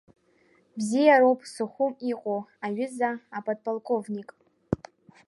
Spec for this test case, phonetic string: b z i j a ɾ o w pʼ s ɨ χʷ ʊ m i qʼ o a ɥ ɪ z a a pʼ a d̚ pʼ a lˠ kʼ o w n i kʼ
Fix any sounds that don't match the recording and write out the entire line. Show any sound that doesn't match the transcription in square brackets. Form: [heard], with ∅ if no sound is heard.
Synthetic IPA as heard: b z i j a ɾ o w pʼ s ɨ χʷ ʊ m i qʼ o a ɥ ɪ z a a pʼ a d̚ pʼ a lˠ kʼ o [v] n i kʼ